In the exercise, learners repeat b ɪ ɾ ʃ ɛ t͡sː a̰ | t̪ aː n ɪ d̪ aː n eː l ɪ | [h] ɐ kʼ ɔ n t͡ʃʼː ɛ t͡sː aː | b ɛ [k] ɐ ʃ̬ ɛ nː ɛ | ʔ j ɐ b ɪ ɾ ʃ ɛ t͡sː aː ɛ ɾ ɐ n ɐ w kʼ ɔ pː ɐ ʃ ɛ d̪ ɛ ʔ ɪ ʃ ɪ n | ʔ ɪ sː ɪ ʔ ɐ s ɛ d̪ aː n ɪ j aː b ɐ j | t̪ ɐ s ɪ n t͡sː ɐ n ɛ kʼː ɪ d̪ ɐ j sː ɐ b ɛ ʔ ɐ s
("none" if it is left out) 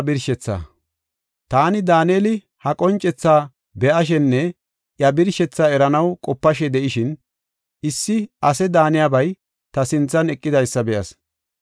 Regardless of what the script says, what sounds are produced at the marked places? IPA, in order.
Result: h, ʔ

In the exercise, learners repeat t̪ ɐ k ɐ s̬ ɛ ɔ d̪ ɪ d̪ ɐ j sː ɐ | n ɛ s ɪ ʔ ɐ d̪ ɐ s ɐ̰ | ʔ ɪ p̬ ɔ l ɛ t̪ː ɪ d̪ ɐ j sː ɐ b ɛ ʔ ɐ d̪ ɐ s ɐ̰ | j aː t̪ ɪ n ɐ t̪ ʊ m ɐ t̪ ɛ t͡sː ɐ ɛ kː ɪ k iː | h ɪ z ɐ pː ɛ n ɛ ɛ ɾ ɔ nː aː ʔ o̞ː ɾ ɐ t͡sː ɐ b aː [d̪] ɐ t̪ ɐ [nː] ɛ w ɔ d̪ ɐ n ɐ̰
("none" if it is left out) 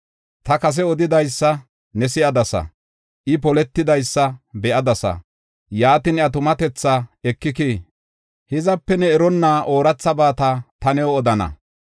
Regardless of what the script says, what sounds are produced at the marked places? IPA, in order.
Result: t̪, n

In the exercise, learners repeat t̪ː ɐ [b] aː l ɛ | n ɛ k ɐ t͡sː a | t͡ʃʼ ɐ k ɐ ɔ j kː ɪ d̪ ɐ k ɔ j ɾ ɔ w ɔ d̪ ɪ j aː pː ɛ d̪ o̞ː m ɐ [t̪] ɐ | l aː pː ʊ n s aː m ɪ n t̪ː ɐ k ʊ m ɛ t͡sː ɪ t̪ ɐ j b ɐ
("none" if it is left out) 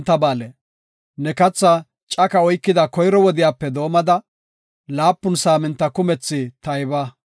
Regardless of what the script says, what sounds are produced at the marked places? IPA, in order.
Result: b, d̪

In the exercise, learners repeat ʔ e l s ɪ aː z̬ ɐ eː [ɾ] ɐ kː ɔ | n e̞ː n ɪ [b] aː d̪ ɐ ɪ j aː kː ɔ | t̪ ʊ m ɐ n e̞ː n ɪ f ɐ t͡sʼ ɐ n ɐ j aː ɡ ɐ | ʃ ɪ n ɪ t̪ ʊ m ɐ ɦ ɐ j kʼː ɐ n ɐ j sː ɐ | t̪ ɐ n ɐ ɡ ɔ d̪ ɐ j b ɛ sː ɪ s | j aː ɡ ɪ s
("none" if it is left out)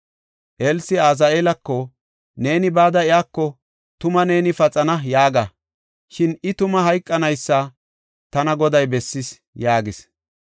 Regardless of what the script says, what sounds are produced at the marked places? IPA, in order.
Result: l, b

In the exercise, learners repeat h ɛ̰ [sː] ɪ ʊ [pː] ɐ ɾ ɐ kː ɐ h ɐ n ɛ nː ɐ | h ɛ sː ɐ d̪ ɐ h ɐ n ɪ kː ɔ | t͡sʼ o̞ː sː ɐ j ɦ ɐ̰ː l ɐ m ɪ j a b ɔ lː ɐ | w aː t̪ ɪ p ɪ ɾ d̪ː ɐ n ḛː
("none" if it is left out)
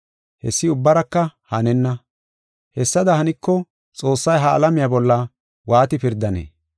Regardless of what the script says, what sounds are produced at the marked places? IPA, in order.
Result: sː, bː

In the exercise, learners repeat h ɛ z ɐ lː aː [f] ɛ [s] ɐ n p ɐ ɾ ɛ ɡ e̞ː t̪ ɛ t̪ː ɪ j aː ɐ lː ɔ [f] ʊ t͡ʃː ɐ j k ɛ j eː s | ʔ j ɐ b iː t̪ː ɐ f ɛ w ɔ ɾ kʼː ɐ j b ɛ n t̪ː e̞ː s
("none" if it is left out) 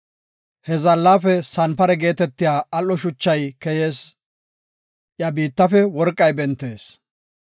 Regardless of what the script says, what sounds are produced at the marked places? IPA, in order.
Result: f, s, ʃ

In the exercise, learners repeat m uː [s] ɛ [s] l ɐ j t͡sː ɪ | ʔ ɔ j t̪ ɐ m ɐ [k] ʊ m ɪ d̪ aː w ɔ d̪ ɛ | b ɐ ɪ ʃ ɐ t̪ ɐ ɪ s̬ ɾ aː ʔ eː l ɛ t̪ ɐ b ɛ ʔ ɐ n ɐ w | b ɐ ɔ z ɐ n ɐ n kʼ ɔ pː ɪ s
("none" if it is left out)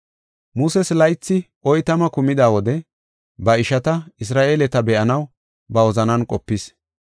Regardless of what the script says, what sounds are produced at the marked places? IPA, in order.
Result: s, s, k

